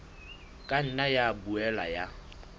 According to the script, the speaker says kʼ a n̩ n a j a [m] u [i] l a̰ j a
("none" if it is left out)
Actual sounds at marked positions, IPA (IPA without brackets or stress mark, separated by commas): b, ɛ